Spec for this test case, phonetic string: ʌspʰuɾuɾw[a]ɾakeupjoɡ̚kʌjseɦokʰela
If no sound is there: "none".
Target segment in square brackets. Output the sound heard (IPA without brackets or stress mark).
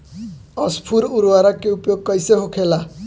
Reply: a